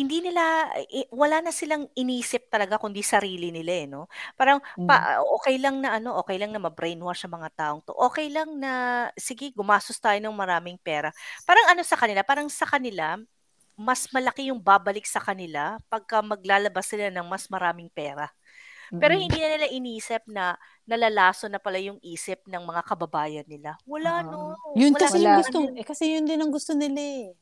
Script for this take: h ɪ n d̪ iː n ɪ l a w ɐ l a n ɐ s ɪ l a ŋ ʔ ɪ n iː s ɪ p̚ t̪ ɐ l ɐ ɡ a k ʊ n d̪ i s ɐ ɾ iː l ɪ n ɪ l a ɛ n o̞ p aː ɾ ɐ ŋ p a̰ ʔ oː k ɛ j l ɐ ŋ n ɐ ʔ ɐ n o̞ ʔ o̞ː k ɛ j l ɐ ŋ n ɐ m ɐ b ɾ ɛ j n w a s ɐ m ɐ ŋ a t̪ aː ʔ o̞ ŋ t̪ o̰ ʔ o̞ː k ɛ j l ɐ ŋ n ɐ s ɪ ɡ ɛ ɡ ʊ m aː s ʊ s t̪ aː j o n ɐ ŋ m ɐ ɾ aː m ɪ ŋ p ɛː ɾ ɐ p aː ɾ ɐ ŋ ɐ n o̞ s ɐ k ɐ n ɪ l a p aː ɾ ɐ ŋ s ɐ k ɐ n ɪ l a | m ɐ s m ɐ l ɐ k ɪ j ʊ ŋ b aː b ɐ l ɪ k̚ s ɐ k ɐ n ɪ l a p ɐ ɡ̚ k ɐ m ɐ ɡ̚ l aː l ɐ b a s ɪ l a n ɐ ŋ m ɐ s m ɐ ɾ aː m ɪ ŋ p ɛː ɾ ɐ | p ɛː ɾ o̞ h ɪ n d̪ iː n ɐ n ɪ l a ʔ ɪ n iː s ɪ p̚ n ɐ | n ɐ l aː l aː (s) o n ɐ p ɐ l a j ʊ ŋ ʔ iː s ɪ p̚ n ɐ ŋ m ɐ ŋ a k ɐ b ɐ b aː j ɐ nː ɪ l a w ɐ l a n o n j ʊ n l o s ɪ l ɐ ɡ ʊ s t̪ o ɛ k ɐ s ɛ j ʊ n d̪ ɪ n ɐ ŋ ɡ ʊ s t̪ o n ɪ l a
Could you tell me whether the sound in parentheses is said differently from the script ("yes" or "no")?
no